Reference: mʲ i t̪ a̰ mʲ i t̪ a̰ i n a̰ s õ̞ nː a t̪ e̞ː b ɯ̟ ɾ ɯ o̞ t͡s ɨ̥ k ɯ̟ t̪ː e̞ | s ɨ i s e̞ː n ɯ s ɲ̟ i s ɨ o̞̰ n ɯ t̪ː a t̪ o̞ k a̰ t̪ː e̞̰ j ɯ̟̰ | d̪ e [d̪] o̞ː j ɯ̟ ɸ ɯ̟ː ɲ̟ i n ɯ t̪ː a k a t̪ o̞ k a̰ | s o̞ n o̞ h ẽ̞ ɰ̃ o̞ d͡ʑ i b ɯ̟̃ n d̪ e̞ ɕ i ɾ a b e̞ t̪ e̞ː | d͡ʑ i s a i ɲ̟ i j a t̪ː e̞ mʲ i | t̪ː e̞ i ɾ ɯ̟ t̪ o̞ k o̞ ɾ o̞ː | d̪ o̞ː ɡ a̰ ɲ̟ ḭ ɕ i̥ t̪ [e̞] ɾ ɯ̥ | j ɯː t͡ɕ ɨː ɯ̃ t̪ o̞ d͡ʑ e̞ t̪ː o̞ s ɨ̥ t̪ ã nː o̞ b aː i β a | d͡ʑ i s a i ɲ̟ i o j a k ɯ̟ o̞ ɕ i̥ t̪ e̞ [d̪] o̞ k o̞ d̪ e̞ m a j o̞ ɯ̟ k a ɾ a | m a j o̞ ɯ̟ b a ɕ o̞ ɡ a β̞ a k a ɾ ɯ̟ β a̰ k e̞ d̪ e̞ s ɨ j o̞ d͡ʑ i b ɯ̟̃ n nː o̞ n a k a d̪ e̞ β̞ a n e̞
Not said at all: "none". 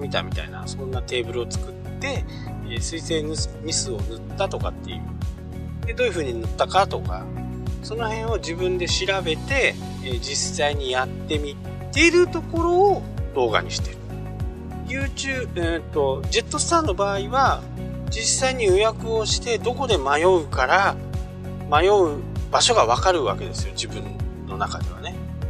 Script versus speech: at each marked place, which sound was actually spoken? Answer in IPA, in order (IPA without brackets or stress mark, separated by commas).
d̪, e̞, d̪